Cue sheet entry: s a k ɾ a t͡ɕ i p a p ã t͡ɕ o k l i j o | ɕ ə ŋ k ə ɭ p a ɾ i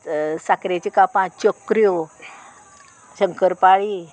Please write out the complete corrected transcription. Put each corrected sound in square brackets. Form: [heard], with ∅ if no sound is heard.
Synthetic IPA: s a k ɾ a t͡ɕ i [k] a p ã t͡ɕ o k [ɾ] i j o | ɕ ə ŋ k ə [ɾ] p a [ɭ] i